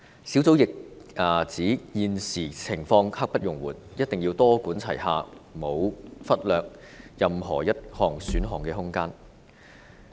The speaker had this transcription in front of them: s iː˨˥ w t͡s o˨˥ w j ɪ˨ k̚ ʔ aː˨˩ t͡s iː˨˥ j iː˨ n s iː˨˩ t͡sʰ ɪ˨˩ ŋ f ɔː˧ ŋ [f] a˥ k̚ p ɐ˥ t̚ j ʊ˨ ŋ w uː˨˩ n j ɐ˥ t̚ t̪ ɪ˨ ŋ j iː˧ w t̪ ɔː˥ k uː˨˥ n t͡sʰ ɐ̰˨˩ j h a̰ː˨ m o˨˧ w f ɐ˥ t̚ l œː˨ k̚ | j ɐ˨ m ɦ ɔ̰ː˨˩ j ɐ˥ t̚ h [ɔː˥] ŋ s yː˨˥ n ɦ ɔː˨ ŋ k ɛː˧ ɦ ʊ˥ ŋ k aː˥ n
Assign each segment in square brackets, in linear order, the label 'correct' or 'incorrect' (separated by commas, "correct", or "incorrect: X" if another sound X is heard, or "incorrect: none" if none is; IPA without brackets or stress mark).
incorrect: h, incorrect: ɔː˨˩